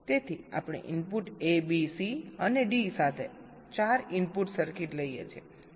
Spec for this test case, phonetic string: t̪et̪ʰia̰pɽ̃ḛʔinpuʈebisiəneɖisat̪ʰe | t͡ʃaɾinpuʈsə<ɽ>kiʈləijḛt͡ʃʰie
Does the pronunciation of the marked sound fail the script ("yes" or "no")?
yes